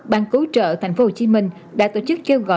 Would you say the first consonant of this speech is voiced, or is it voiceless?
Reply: voiced